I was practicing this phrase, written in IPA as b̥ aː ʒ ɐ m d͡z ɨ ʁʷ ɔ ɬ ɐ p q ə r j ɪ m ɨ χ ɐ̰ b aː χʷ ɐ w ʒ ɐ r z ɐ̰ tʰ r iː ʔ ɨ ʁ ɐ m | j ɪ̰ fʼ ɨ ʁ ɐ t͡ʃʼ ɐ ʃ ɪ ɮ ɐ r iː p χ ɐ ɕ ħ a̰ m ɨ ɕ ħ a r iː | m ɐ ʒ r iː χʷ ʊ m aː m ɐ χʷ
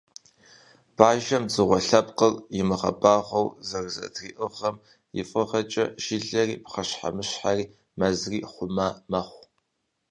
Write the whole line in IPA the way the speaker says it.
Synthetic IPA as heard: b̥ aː ʒ ɐ m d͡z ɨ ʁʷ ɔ ɬ ɐ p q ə r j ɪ m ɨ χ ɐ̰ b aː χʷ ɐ w z ɐ r z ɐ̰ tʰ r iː ʔ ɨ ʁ ɐ m | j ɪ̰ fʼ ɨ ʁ ɐ t͡ʃʼ ɐ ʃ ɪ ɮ ɐ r iː p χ ɐ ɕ ħ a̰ m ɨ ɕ ħ a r iː | m ɐ z r iː χʷ ʊ m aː m ɐ χʷ